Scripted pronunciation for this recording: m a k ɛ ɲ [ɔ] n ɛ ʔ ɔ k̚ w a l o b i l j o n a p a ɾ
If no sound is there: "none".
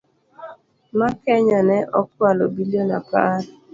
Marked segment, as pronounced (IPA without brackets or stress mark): ɔ